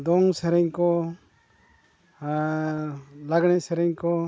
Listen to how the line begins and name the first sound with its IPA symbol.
d̪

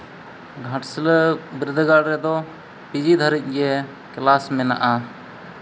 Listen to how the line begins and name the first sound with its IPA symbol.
ɡʱ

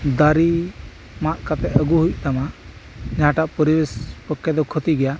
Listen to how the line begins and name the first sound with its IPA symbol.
d̪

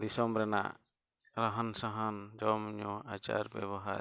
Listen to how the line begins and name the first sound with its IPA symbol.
d̪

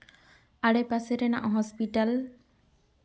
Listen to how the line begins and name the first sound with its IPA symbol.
a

